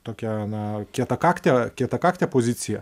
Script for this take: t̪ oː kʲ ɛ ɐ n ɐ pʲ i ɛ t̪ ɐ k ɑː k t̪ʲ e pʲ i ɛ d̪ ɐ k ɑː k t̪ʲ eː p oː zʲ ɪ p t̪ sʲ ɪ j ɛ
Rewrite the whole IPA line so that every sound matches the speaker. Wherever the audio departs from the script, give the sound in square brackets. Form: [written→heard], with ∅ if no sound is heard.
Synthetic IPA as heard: t̪ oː kʲ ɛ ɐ n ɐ [pʲ→kʲ] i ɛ t̪ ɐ k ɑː k t̪ʲ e [pʲ→kʲ] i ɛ [d̪→t̪] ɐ k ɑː k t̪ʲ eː p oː zʲ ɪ [p→∅] t̪ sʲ ɪ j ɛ